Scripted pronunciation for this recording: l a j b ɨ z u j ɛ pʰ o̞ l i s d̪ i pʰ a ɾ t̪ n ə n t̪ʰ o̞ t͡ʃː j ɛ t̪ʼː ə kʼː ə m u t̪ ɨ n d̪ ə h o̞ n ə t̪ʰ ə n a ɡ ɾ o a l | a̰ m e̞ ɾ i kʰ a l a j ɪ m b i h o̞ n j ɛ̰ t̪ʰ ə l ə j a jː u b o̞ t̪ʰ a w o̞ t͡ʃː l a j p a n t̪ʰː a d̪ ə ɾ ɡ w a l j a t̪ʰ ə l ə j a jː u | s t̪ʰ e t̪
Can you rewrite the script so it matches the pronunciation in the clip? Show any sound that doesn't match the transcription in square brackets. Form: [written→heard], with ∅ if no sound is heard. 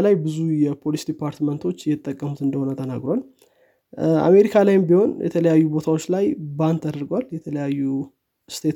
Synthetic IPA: l a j b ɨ z u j ɛ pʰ o̞ l i s d̪ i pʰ a ɾ t̪ [n→m] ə n t̪ʰ o̞ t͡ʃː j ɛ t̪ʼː ə kʼː ə m u t̪ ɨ n d̪ ə h o̞ n ə t̪ʰ ə n a ɡ ɾ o a l | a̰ m e̞ ɾ i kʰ a l a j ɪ m b i h o̞ n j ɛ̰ t̪ʰ ə l ə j a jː u b o̞ t̪ʰ a w o̞ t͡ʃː l a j [p→b] a n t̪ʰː a d̪ ə ɾ ɡ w a l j [a→ɛ] t̪ʰ ə l ə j a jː u | s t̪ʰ e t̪